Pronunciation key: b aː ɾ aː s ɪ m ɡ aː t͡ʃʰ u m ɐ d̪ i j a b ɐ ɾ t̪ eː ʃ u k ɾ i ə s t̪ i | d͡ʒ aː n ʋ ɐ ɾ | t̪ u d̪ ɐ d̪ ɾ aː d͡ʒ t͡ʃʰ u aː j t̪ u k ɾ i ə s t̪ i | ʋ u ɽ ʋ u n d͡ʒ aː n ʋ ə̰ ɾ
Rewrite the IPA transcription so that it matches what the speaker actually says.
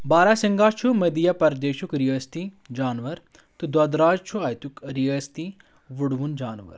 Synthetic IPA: b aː ɾ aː s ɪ ŋ ɡ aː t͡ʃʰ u m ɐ d̪ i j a p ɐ ɾ d̪ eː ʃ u k ɾ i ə s t̪ i | d͡ʒ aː n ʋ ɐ ɾ | t̪ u d̪ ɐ d̪ ɾ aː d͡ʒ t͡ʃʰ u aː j t̪ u k ɾ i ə s t̪ i | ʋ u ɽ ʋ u n d͡ʒ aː n ʋ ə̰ ɾ

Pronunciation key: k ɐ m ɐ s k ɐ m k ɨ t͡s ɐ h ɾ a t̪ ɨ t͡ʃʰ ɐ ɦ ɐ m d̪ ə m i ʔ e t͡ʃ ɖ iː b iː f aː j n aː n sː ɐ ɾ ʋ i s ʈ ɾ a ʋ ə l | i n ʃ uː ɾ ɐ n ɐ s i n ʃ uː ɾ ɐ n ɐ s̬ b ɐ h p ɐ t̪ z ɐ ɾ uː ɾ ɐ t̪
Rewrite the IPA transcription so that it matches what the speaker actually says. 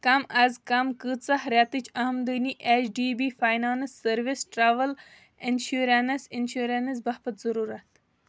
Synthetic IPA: k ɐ m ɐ z k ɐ m k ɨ t͡s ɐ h ɾ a t̪ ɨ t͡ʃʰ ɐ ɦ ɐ m d̪ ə n i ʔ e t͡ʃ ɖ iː b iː f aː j n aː n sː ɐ ɾ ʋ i s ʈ ɾ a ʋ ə l | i n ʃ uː ɾ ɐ n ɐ s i n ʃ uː ɾ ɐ n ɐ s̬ b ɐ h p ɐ t̪ z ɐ ɾ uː ɾ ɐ t̪

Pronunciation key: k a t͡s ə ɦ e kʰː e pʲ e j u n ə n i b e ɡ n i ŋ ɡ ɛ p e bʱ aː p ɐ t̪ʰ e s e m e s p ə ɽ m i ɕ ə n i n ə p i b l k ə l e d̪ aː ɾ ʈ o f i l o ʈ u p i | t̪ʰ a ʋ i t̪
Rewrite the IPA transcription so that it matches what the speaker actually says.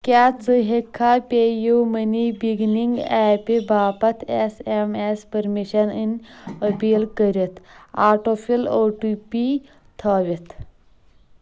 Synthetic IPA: k a t͡s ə ɦ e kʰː a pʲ e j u m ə n i b i ɡ n i ŋ ɡ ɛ p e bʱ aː p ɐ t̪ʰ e s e m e s p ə ɾ m i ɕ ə n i n ə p i l k ə ɾ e t̪ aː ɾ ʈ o f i l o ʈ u p i | t̪ʰ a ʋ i t̪

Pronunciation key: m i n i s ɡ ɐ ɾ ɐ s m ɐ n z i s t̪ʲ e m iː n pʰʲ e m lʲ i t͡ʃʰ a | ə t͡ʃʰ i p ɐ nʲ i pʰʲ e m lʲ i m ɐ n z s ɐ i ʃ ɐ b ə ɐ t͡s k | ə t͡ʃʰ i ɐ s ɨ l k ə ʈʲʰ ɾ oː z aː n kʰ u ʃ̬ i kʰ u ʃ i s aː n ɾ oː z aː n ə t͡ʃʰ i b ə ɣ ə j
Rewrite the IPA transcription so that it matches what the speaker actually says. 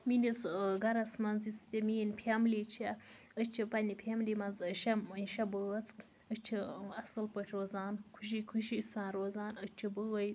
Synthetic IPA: m i n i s ɡ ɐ ɾ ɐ s m ɐ n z i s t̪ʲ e m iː n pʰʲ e m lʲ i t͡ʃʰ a | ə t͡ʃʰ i p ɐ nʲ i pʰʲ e m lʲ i m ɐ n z ʃ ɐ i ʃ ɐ b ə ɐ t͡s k | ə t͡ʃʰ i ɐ s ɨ l p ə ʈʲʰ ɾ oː z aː n kʰ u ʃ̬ i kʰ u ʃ i s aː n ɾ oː z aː n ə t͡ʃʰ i b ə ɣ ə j

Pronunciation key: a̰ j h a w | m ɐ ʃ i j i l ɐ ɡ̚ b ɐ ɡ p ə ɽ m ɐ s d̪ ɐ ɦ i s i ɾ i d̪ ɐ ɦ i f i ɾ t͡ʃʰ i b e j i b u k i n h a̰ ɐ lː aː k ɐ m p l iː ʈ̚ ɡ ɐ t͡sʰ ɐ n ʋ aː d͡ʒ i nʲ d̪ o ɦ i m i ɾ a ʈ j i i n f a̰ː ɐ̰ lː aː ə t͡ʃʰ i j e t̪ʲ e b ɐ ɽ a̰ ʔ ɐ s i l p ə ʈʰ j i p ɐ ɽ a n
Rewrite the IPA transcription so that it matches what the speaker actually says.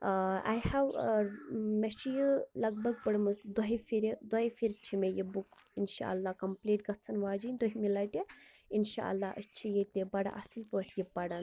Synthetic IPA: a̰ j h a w | m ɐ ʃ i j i l ɐ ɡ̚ b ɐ ɡ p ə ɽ m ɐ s d̪ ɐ ɦ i f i ɾ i d̪ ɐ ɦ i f i ɾ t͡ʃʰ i m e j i b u k i n ʃ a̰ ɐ lː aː k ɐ m p l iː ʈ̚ ɡ ɐ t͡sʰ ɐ n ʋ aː d͡ʒ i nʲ d̪ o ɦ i m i l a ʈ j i i n ʃ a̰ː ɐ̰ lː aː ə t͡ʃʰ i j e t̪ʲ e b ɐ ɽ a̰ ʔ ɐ s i l p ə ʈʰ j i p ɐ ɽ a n

